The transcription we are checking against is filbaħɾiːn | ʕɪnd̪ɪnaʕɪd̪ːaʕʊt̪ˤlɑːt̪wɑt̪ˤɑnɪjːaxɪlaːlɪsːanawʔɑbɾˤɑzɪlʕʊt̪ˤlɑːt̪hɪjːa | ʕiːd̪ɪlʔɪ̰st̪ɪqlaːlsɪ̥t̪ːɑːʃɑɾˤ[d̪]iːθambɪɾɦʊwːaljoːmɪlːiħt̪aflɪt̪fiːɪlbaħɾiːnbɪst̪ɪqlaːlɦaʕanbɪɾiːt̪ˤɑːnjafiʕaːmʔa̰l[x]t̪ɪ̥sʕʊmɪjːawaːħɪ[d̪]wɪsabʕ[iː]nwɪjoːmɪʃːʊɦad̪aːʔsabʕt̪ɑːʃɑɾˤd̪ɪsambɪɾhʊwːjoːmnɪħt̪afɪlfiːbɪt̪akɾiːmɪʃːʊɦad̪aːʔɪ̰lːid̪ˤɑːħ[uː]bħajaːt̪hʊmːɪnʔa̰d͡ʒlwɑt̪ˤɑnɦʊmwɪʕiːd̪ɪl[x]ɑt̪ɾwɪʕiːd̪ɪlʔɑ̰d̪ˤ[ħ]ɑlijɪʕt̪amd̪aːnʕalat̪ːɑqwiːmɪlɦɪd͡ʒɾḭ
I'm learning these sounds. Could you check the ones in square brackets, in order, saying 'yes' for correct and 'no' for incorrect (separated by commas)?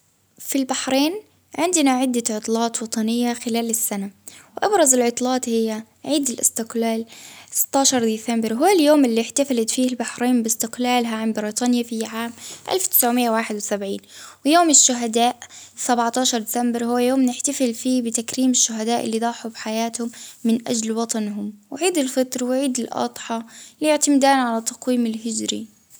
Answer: yes, no, yes, yes, no, no, yes